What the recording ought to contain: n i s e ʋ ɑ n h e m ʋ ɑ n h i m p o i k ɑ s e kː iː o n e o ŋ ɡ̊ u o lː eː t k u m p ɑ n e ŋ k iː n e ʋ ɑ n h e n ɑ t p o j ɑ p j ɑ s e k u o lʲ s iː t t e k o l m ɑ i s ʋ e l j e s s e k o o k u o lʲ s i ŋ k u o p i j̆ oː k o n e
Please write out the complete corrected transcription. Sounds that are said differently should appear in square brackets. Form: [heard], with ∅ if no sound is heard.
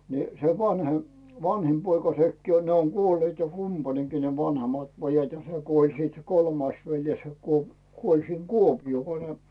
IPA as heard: n i s e ʋ ɑ n h e m ʋ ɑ n h i m p o i k ɑ s e kː iː o n e o ŋ ɡ̊ u o lː eː t k u m p ɑ n e ŋ k iː n e ʋ ɑ n h e [m] ɑ t p o j ɑ [t] j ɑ s e k u o lʲ s iː t [s] e k o l m ɑ i s ʋ e l j e s s e k [u] o k u o lʲ s i ŋ k u o p i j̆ oː k o n e